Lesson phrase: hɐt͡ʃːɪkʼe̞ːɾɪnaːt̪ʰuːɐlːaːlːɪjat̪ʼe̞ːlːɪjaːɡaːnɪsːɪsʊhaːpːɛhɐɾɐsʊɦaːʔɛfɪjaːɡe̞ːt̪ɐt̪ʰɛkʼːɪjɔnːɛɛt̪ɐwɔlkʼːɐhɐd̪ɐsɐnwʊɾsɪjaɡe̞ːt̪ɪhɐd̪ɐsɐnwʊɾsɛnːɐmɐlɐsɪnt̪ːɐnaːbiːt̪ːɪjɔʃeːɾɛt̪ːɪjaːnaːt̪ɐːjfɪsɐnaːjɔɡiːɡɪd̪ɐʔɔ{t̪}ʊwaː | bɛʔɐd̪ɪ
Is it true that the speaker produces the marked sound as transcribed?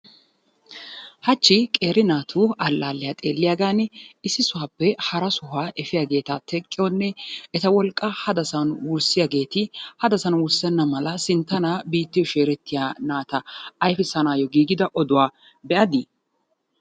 no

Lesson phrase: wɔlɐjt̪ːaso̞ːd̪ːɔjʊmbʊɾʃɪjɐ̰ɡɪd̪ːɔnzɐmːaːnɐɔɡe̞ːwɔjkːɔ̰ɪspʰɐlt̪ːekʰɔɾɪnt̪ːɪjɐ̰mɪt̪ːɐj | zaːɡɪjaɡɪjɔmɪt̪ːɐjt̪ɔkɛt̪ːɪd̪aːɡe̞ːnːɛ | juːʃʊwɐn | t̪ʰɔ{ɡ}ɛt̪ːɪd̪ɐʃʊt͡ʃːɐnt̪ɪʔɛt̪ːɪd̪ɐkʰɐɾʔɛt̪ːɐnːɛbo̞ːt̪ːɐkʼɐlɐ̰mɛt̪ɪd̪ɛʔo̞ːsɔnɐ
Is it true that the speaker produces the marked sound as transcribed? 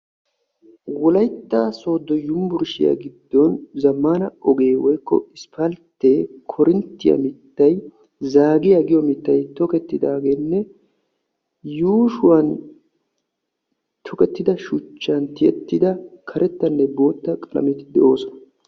no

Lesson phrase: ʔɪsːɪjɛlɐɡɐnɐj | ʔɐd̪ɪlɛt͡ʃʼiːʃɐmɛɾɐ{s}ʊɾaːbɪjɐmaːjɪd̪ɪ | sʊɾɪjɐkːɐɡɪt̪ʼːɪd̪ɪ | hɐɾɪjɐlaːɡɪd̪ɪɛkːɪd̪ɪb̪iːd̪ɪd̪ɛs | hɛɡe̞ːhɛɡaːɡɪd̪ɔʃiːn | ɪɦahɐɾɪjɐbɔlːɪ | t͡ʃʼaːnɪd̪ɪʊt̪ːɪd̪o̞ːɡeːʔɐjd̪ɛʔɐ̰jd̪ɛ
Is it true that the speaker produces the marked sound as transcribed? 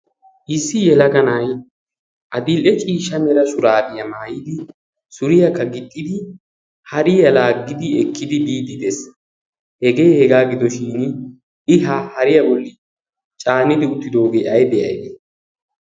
yes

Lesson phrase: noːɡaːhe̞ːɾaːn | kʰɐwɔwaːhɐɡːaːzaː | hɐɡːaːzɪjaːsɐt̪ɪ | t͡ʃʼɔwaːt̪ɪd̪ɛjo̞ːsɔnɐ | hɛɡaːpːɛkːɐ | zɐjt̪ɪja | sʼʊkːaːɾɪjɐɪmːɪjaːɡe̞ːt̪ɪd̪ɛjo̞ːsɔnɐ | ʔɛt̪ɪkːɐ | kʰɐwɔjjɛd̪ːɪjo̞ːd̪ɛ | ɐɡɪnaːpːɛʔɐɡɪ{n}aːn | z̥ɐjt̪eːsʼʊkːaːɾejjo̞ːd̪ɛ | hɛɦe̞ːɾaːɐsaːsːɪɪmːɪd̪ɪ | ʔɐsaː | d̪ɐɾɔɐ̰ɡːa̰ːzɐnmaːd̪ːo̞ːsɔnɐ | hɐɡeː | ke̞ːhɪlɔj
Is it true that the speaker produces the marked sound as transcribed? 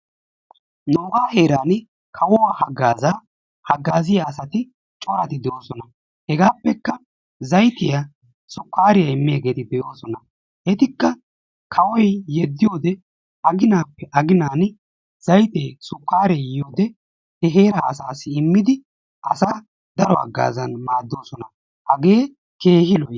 yes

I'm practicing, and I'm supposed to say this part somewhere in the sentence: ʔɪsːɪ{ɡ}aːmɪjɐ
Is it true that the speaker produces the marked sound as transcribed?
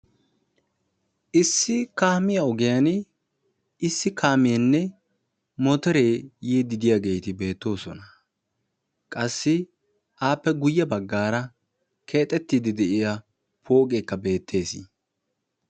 no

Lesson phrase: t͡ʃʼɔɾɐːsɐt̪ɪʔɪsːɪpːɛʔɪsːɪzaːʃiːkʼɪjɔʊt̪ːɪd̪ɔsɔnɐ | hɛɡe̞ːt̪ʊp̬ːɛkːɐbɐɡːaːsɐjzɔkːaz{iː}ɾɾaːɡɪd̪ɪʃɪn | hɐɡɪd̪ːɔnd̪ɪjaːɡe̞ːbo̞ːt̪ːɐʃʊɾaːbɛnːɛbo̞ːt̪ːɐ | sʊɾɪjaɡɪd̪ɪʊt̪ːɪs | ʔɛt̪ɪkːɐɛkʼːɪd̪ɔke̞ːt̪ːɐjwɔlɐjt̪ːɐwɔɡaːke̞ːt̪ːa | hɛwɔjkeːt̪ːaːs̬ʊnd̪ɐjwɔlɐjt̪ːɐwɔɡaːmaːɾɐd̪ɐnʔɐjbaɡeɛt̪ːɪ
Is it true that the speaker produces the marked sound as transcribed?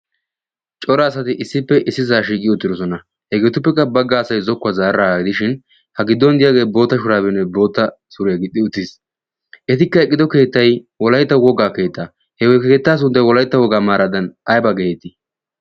no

